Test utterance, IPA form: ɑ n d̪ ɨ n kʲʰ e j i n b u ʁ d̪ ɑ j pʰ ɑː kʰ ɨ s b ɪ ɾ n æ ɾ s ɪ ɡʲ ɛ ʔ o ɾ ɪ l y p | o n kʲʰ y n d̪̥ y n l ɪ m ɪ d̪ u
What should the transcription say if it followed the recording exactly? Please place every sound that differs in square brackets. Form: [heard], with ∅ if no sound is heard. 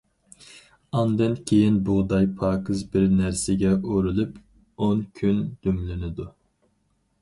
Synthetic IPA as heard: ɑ n d̪ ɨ n kʲʰ e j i n b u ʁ d̪ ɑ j pʰ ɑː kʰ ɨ [z] b ɪ ɾ n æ ɾ s ɪ ɡʲ ɛ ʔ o ɾ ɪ l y p | o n kʲʰ y n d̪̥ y [m] l ɪ [n] ɪ d̪ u